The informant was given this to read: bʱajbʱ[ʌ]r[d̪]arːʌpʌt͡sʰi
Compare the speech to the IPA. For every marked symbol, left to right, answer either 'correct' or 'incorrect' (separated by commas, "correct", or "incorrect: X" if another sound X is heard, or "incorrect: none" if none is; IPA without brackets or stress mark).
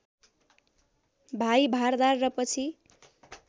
incorrect: a, correct